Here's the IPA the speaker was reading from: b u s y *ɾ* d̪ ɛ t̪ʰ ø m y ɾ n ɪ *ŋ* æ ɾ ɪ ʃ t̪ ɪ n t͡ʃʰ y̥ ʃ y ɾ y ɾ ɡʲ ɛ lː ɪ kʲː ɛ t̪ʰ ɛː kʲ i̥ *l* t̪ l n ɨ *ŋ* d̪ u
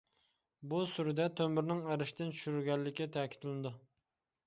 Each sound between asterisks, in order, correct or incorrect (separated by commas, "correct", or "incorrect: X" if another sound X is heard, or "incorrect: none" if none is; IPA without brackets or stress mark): correct, correct, incorrect: none, incorrect: none